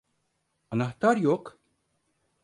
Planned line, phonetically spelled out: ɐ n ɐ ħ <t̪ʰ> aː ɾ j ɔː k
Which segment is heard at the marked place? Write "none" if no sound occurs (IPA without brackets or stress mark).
t̪